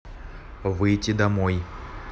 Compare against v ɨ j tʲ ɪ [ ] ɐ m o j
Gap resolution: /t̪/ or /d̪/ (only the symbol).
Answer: d̪